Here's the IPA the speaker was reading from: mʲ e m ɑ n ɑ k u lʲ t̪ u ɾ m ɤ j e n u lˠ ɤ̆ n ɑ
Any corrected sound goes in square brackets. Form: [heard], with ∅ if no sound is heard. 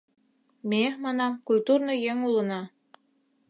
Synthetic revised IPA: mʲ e m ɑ n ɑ k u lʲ t̪ u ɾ [n] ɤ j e [ŋ] u lˠ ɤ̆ n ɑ